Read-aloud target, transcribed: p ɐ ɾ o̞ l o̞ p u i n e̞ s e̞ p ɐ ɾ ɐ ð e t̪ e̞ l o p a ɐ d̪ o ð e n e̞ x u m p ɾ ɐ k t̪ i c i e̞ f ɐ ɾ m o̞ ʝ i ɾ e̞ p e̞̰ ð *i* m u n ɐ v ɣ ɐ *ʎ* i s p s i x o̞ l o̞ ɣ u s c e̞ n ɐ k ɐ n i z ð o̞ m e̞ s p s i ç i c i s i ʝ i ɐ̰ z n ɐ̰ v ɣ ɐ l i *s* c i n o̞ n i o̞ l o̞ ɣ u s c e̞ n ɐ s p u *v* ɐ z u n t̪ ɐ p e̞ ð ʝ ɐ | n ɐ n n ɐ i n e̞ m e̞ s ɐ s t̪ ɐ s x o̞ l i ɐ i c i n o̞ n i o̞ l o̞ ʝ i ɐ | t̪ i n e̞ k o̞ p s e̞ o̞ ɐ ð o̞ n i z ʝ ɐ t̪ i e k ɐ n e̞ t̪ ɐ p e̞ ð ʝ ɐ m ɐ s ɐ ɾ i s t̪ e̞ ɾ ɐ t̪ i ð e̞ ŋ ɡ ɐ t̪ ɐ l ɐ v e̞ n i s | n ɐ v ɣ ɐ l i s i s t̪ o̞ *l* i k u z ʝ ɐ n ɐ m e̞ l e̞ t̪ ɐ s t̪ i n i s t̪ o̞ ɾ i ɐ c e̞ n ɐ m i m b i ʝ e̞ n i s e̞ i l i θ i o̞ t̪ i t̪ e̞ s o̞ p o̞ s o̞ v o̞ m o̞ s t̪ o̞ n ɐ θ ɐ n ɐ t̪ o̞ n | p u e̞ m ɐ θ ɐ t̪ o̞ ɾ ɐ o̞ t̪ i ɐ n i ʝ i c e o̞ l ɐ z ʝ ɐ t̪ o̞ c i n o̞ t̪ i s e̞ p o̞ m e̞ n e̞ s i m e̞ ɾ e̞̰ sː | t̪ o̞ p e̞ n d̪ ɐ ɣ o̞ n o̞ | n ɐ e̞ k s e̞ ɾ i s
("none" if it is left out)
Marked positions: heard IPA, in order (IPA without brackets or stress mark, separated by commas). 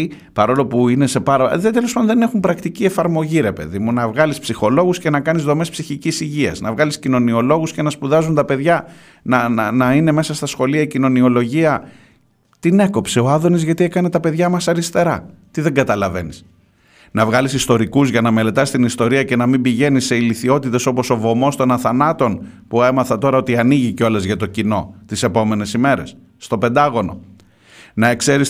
i, l, s, ð, ɾ